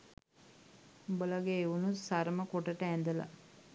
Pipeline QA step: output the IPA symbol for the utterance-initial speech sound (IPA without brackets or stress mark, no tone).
b